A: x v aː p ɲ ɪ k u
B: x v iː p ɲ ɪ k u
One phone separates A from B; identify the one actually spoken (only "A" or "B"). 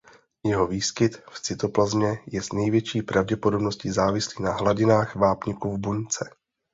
A